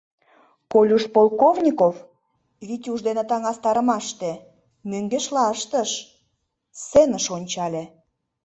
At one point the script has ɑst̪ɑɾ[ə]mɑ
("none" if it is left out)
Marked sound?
ə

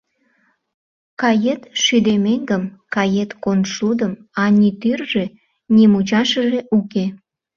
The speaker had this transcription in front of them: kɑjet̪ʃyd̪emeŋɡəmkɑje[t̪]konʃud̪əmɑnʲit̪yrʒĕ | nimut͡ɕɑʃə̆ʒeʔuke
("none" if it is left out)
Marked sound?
t̪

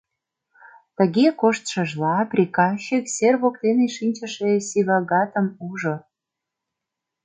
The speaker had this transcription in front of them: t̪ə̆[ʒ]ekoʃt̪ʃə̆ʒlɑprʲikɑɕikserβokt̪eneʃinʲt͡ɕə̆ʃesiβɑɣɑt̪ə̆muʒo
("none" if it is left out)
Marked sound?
ɣ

